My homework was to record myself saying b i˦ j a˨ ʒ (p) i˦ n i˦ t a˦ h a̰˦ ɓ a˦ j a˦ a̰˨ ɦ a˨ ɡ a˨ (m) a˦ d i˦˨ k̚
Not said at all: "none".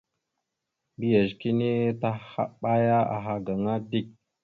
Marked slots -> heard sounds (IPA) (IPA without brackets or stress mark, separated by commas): k, ŋ